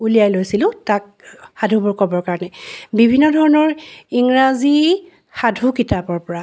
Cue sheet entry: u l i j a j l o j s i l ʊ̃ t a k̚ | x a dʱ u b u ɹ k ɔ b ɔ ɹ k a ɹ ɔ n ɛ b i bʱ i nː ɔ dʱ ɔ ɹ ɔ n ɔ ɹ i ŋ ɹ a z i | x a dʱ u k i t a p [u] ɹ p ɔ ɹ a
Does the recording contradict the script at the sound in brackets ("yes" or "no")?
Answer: yes